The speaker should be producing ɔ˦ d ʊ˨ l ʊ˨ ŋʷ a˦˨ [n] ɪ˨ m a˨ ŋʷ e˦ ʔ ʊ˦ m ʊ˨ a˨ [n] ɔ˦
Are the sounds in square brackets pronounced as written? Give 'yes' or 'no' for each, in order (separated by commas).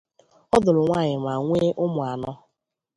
no, yes